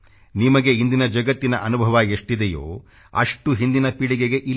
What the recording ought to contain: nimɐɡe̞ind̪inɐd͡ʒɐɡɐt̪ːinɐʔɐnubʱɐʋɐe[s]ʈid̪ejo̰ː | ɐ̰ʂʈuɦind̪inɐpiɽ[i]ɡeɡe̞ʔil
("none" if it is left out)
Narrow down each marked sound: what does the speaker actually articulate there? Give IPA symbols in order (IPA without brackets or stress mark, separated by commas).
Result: ʂ, i